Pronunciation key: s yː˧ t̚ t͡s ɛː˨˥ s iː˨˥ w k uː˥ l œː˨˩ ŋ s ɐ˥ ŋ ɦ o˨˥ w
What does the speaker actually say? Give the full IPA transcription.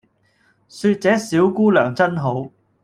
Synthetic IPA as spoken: s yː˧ t̚ t͡s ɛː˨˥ s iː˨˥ w k uː˥ l œː˨˩ ŋ t͡s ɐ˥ n ɦ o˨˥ w

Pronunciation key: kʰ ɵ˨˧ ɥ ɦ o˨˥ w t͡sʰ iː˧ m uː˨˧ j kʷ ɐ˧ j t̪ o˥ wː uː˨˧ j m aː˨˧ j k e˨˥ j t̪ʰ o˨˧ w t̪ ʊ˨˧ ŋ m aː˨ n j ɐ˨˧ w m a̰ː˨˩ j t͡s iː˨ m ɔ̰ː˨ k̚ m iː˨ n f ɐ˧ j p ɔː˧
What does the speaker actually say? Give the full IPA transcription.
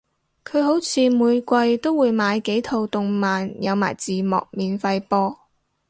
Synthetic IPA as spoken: kʰ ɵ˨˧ ɥ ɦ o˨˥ w t͡sʰ iː˧ m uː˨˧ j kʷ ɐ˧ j t̪ o˥ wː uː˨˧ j m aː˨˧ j k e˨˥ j t̪ʰ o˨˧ w t̪ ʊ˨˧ ŋ m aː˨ n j ɐ˨˧ w m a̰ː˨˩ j t͡s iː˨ m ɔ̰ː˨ k̚ m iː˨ n f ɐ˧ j p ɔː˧

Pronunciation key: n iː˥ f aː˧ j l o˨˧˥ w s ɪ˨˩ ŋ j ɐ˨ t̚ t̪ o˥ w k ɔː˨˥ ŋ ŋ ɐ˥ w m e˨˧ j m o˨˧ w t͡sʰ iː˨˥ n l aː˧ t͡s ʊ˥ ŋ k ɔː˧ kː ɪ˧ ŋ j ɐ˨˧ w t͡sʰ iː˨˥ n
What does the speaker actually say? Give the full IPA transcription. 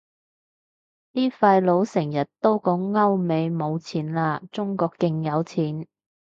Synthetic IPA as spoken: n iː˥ f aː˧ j l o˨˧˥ w s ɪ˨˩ ŋ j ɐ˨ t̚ t̪ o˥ w k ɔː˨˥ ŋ ŋ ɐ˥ w m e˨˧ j m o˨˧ w t͡sʰ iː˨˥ n l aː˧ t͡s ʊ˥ ŋ k ɔː˧ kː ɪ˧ ŋ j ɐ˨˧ w t͡sʰ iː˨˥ n

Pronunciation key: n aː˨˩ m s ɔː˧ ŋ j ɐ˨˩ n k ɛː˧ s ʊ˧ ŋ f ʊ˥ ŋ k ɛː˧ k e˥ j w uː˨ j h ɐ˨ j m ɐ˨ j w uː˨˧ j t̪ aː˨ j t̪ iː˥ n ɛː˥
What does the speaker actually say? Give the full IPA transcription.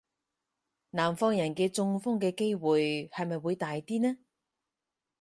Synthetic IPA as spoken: n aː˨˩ m f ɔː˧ ŋ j ɐ˨˩ n k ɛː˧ t͡s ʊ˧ ŋ f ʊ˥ ŋ k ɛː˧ k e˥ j w uː˨ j h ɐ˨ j m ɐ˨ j w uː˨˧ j t̪ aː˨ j t̪ iː˥ n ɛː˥

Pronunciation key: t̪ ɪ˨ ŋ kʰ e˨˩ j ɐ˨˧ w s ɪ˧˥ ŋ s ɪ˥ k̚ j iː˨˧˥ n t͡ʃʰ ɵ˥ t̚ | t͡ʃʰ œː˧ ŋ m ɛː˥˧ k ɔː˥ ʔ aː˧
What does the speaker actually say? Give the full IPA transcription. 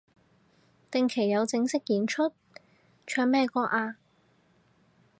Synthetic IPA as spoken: t̪ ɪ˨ ŋ kʰ e˨˩ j ɐ˨˧ w t͡s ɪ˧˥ ŋ s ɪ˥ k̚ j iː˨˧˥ n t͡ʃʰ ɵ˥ t̚ | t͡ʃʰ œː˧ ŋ m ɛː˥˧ k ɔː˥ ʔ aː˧

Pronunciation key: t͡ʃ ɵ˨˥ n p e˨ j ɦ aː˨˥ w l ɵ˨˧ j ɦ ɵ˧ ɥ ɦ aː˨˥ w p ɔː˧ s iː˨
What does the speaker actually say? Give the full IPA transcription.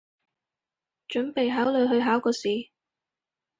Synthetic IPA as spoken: t͡ʃ ɵ˨˥ n p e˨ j ɦ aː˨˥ w l ɵ˨˧ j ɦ ɵ˧ ɥ ɦ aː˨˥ w k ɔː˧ s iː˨

